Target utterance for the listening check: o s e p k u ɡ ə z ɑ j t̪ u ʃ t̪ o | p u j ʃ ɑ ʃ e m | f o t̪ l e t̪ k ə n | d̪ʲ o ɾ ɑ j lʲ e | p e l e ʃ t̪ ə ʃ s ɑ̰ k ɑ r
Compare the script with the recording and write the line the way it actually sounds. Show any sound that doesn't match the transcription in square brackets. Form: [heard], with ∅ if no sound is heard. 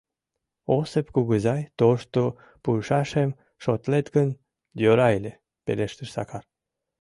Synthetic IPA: o s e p k u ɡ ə z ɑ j t̪ [o] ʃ t̪ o | p u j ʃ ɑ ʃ e m | [ʃ] o t̪ l e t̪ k ə n | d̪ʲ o ɾ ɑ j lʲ e | p e l e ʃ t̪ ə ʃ s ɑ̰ k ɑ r